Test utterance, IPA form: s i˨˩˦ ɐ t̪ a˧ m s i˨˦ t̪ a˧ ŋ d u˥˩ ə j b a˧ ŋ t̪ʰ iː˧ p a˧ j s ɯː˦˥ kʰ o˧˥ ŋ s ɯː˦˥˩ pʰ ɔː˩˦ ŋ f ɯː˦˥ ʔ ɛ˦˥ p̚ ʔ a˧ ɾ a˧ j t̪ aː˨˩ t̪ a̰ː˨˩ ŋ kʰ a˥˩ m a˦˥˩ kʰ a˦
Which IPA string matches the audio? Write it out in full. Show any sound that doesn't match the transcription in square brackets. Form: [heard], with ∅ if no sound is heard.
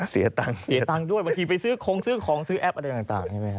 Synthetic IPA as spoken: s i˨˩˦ ɐ t̪ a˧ [ŋ] s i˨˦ t̪ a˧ ŋ d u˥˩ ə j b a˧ ŋ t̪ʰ iː˧ p a˧ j s ɯː˦˥ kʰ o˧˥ ŋ s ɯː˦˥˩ [kʰ] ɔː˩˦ ŋ [s] ɯː˦˥ ʔ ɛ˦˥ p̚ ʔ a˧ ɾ a˧ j t̪ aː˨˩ t̪ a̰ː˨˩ ŋ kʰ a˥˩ m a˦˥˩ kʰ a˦